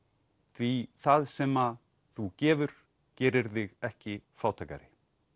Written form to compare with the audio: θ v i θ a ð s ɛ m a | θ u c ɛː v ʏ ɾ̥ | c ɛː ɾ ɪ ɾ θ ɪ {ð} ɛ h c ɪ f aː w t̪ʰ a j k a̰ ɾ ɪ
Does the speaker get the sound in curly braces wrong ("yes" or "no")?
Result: yes